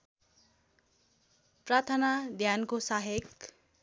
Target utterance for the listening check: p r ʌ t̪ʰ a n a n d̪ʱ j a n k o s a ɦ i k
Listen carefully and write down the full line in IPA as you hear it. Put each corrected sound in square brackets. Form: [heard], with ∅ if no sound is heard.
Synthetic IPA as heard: p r [a] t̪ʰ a n a [∅] d̪ʱ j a n k o s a ɦ [e] k